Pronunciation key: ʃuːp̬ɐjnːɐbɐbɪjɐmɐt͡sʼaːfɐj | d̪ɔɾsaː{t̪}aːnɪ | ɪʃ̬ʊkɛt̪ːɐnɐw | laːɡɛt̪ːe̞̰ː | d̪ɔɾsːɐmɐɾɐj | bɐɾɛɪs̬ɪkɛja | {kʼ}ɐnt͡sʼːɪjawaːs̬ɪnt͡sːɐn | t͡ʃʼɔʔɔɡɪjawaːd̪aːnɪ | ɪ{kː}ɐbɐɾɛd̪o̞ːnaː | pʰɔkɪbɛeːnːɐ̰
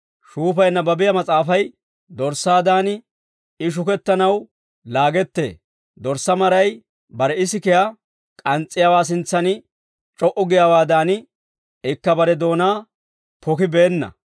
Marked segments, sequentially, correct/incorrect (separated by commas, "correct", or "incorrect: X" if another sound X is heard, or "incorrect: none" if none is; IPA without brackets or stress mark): incorrect: d̪, correct, correct